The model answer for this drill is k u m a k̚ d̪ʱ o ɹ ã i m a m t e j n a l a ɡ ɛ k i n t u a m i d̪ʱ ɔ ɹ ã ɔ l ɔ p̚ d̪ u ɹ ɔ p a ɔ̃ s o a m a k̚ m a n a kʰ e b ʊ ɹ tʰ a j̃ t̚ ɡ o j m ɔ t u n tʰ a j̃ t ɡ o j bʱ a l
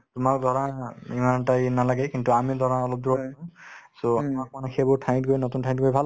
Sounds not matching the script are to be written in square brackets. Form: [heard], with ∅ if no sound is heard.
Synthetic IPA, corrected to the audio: [t] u m a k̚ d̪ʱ [ɔ] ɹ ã i m a [n] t [a] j n a l a ɡ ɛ k i n t u a m i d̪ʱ ɔ ɹ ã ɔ l ɔ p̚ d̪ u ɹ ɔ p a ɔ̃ s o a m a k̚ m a n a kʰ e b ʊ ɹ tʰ a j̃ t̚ ɡ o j [n] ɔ t u n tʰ a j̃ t ɡ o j bʱ a l